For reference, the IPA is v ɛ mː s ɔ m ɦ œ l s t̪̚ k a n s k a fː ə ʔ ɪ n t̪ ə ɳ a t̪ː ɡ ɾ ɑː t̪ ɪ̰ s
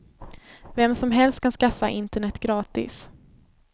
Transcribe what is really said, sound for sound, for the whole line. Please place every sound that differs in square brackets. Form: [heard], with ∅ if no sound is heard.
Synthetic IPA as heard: v ɛ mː s ɔ m ɦ [ɛ] l s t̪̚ k a n s k a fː [a] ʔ ɪ n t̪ ə ɳ [ɛ] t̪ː ɡ ɾ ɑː t̪ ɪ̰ s